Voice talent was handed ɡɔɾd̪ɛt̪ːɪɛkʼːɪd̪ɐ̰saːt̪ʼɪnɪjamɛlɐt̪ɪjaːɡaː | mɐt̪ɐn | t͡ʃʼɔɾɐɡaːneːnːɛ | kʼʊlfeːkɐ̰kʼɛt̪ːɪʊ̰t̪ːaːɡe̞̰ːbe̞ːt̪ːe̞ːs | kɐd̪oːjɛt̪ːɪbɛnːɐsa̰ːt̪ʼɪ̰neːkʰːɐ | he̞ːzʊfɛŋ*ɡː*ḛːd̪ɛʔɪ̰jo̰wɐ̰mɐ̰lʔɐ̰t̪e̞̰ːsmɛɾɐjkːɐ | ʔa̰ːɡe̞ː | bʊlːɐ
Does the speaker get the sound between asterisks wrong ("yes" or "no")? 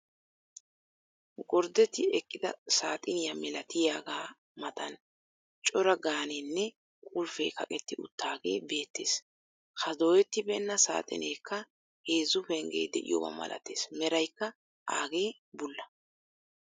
yes